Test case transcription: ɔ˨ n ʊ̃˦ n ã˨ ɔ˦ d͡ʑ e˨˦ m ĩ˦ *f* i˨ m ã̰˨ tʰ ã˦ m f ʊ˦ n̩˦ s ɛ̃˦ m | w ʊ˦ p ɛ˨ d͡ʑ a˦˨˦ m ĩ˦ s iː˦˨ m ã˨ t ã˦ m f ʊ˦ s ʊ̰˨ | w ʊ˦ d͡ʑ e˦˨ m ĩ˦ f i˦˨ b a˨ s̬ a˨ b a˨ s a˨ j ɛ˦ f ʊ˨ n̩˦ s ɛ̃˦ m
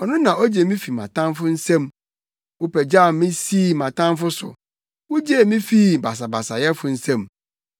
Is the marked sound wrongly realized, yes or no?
no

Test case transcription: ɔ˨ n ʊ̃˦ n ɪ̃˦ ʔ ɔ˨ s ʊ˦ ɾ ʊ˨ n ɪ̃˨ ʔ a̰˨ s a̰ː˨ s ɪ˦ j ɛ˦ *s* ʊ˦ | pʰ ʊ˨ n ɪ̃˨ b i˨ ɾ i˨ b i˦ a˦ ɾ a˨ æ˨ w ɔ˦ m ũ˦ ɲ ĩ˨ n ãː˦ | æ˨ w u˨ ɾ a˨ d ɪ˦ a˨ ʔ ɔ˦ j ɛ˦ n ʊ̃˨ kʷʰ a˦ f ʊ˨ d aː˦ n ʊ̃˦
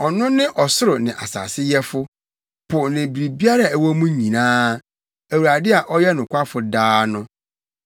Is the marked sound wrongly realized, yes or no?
yes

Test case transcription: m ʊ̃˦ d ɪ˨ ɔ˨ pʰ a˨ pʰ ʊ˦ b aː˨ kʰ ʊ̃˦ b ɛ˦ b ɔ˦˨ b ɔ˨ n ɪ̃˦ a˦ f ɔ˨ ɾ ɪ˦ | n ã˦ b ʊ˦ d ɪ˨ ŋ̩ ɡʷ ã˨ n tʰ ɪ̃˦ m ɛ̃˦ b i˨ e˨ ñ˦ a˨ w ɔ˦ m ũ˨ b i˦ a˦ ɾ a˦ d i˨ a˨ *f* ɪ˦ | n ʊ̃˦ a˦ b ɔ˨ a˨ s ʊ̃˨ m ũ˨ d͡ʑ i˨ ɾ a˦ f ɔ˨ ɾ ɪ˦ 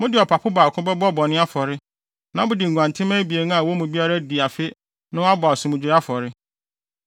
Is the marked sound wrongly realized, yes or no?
no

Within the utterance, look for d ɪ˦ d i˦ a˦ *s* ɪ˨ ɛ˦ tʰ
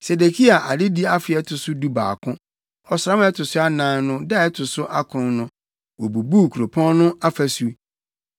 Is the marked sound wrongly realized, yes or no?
yes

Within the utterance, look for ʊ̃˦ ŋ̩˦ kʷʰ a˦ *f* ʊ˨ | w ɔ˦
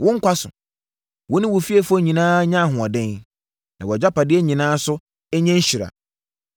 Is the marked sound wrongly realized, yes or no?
yes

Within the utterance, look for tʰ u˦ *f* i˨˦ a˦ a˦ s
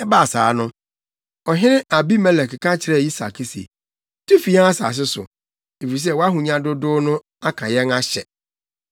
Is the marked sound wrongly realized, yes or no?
no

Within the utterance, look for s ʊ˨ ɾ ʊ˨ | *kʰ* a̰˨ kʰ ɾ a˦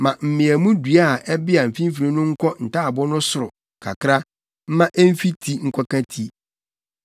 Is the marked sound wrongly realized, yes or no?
no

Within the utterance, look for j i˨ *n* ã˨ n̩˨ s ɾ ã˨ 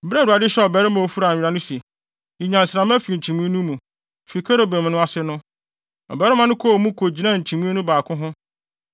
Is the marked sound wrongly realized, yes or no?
yes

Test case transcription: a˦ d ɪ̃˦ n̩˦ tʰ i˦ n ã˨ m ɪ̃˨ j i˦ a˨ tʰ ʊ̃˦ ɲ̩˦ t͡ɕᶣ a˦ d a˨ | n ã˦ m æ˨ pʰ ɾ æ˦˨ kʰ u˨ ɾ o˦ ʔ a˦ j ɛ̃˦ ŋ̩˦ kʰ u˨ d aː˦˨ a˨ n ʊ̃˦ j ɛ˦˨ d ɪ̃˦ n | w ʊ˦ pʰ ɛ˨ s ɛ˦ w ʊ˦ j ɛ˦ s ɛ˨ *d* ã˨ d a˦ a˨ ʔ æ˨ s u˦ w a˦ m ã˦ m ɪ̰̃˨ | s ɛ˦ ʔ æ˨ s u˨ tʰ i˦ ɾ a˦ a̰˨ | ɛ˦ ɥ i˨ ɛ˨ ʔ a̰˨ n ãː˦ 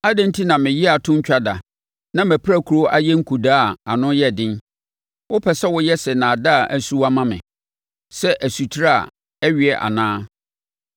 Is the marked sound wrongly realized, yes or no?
yes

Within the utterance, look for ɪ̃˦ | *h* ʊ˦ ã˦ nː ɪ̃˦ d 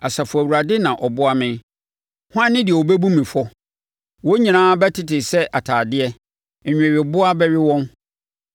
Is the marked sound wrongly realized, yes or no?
no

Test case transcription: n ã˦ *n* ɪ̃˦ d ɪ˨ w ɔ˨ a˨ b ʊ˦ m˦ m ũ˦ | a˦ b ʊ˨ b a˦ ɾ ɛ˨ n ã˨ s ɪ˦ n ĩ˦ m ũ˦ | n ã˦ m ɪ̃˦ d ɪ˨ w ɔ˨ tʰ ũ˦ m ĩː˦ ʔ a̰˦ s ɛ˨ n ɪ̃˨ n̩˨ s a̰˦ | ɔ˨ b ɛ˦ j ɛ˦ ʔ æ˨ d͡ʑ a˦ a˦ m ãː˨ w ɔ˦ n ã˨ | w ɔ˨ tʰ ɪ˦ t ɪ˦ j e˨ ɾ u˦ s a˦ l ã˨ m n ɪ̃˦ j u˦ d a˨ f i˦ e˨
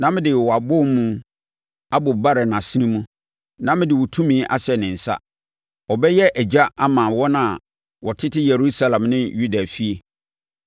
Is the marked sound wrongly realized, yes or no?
yes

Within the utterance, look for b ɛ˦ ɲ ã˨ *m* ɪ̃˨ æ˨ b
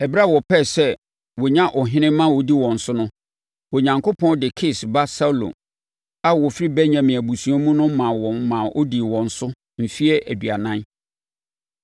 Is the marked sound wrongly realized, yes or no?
no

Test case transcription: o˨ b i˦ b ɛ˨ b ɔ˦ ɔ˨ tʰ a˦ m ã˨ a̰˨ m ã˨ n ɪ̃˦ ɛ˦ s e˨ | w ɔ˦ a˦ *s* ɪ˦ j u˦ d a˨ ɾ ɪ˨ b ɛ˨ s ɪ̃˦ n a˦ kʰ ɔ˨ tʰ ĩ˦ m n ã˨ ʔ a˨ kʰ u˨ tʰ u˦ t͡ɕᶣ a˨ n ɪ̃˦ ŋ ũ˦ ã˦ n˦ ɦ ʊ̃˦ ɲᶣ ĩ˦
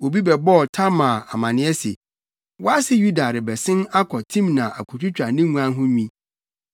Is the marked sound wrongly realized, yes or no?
no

